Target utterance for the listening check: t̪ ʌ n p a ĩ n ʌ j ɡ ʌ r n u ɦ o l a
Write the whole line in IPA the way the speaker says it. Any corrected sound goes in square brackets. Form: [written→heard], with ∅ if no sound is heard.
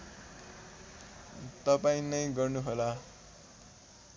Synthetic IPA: t̪ ʌ [n→∅] p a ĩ n ʌ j ɡ ʌ r n u ɦ o l a